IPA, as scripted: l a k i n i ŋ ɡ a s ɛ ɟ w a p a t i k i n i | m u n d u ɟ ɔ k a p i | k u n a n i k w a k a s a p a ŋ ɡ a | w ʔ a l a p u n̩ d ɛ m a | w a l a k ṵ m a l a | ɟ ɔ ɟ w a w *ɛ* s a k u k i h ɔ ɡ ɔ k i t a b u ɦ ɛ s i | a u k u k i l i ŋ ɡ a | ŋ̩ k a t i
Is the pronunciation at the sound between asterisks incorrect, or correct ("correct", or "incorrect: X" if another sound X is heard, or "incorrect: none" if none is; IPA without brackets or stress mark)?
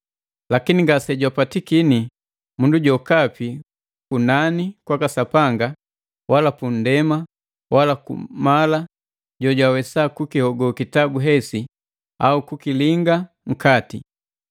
correct